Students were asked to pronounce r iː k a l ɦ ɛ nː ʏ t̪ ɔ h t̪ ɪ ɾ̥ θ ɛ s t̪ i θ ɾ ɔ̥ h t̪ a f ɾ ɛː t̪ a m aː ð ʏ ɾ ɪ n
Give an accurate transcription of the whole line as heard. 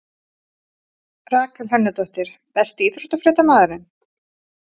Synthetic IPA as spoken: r aː k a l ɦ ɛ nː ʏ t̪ ɔ h t̪ ɪ ɾ̥ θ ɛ s t̪ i θ ɾ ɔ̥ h t̪ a f ɾ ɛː t̪ a m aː ð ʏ ɾ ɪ n